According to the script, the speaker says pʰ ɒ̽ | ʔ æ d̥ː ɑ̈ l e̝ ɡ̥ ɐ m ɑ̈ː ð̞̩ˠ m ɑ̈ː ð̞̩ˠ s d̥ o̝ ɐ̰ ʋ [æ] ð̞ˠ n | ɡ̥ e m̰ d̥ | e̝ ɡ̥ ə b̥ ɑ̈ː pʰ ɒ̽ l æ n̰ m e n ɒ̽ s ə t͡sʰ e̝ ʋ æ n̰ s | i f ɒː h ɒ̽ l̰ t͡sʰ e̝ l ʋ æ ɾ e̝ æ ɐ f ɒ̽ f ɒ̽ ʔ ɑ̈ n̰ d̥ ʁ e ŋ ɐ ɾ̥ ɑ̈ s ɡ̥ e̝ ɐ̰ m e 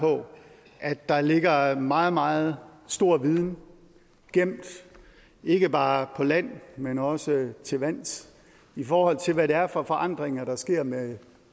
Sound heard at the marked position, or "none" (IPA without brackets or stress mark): i